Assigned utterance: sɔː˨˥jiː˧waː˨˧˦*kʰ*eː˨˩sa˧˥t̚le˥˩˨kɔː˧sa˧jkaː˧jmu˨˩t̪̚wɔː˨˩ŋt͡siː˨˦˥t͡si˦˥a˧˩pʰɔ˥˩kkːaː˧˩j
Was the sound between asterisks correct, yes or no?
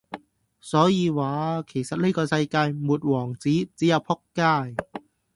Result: yes